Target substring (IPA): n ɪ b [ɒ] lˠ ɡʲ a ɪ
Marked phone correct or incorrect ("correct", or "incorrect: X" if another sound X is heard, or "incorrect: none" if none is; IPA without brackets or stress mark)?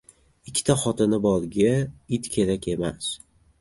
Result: correct